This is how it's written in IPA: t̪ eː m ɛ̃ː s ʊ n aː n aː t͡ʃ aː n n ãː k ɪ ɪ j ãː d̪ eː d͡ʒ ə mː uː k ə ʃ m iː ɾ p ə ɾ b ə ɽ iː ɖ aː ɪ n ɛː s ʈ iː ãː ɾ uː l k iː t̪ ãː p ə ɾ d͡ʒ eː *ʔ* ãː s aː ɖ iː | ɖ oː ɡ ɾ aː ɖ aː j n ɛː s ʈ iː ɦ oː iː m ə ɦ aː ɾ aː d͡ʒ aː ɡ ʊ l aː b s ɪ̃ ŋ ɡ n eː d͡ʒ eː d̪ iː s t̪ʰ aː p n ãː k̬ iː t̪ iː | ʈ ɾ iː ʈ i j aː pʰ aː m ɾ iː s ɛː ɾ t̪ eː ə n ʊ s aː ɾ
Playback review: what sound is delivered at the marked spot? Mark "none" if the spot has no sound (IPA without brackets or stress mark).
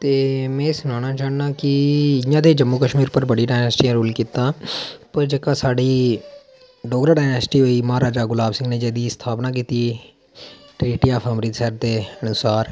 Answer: k